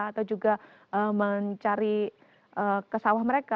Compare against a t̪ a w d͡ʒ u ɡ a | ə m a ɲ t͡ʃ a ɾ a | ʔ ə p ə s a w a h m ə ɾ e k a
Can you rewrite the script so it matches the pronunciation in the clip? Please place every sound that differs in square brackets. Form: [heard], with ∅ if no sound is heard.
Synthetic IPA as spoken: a t̪ a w d͡ʒ u ɡ a | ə m [ə] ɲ t͡ʃ a ɾ [i] | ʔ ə [k] ə s a w a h m ə ɾ e k a